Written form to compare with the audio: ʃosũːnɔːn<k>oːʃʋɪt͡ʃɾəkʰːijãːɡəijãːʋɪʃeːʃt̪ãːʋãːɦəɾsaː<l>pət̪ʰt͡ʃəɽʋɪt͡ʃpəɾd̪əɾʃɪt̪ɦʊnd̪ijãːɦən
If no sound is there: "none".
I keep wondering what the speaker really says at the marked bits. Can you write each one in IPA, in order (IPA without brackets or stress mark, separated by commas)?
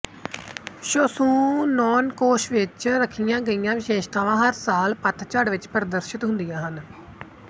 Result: k, l